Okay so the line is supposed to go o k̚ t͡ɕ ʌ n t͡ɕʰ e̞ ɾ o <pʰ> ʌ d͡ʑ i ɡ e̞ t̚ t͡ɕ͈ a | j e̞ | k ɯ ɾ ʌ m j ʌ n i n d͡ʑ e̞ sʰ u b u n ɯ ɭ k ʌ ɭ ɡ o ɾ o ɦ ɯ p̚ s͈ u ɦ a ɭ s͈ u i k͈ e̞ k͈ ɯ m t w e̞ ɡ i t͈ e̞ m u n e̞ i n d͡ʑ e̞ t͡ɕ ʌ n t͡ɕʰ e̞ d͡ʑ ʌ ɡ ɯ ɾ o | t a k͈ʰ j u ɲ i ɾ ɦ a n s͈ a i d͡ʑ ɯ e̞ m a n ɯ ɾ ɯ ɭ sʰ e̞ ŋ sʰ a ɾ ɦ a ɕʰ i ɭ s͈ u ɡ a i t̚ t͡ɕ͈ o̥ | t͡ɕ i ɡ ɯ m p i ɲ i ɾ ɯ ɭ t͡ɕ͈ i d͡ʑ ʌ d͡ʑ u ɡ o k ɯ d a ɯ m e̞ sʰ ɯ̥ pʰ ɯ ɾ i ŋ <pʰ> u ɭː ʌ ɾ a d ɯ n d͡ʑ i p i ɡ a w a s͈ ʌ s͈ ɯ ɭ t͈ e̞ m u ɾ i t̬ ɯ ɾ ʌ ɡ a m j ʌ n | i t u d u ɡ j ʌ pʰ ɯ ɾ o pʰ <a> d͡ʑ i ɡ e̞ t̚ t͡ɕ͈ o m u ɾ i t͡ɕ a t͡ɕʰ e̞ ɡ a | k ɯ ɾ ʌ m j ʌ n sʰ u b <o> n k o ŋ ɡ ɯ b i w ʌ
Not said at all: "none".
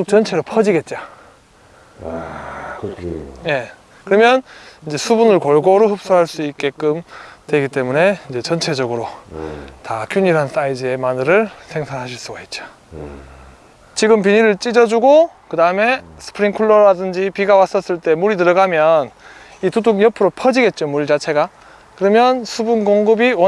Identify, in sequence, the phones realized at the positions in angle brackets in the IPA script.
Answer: pʰ, kʰ, ʌ, u

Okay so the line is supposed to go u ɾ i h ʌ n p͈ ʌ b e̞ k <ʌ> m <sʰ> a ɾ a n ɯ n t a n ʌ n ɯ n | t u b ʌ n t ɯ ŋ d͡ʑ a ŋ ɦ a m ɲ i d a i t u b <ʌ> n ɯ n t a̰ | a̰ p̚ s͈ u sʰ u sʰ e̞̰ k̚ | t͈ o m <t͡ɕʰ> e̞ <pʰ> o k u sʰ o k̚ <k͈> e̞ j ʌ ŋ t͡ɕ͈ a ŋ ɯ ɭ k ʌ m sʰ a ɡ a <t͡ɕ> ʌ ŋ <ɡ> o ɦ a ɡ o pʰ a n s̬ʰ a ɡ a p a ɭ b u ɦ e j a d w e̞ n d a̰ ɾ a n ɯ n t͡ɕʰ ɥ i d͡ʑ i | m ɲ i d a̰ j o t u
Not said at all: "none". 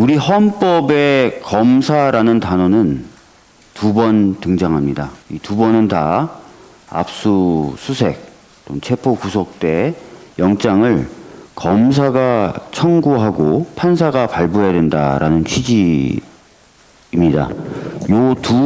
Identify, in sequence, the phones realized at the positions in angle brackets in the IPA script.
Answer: ʌ, sʰ, ʌ, t͡ɕʰ, pʰ, t͈, t͡ɕʰ, ɡ

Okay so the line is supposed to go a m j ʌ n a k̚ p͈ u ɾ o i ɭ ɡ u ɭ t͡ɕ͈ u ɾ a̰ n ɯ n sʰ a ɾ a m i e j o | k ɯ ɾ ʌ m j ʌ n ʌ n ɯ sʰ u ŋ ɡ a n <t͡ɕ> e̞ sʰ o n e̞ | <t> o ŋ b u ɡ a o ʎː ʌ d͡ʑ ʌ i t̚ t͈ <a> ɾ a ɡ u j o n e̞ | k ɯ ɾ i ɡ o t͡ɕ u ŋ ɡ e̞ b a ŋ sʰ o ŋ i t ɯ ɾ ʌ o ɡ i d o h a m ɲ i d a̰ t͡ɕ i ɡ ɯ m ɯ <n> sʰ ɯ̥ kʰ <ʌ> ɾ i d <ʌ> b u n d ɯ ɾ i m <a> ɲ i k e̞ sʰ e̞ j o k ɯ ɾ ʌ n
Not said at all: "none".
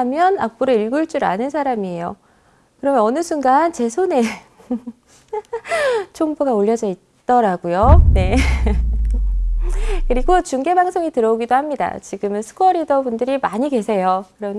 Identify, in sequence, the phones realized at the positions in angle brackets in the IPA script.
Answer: t͡ɕ, t͡ɕʰ, ʌ, n, ʌ, ʌ, a

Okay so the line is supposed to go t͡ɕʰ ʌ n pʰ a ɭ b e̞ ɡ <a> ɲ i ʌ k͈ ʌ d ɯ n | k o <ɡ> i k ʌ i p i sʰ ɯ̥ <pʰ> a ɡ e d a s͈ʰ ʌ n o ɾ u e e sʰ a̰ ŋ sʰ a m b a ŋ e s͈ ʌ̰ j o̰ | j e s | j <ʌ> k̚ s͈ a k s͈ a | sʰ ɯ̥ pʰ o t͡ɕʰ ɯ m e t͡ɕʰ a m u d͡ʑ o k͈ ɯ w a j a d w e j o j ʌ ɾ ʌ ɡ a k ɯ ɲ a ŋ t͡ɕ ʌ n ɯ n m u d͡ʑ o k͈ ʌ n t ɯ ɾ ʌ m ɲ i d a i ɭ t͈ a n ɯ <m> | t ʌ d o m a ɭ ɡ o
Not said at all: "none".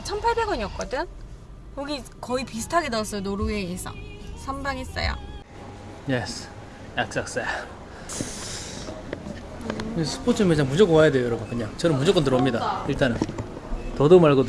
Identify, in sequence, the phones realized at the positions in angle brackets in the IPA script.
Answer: ʌ, ɡ, tʰ, a, n

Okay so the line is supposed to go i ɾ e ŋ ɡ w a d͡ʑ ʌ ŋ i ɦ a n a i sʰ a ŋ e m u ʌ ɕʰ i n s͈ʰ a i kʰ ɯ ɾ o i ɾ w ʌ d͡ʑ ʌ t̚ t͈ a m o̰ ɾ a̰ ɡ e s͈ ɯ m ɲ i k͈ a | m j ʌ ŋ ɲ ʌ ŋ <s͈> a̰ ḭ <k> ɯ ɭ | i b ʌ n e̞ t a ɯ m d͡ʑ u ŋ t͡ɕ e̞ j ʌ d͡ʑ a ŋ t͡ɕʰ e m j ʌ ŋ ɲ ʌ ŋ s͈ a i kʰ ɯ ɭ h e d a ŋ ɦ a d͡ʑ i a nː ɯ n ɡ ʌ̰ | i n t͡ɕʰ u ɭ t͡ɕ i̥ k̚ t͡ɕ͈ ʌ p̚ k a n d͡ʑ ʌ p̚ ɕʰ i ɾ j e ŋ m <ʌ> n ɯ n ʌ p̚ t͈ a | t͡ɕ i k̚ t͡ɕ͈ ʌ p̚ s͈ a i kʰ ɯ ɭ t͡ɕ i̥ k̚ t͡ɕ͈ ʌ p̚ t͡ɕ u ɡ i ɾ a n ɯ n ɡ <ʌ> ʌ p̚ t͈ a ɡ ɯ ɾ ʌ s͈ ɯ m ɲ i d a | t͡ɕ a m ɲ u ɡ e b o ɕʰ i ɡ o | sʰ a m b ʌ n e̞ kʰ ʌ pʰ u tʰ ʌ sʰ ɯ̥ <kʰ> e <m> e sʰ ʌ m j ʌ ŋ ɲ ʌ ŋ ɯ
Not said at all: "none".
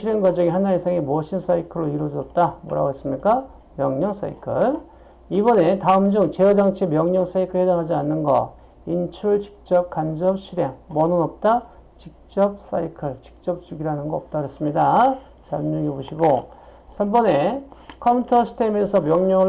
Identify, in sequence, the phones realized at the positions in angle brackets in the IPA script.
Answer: s͈, kʰ, ʌ, ʌ, tʰ, m

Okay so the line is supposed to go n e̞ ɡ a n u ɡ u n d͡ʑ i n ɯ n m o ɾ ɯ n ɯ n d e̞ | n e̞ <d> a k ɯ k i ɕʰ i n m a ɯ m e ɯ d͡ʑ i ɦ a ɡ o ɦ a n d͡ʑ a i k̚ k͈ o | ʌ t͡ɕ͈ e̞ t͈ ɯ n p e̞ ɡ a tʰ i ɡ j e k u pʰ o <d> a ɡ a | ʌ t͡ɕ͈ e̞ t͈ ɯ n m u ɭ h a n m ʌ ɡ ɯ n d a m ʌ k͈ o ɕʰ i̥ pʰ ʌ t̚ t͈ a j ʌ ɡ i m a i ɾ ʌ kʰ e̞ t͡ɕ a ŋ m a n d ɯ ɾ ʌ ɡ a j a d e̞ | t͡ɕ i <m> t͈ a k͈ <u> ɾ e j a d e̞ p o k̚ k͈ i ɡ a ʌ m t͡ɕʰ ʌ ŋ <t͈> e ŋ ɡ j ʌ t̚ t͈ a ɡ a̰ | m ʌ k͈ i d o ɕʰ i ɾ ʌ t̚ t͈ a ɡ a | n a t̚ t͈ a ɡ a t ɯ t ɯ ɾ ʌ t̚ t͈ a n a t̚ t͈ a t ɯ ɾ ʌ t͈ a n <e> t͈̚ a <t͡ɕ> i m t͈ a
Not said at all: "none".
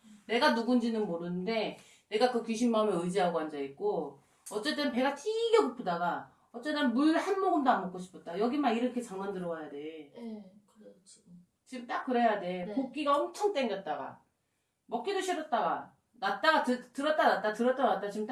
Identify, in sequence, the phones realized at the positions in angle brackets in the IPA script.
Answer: ɡ, d, m, ɯ, t͈, a, t͡ɕ

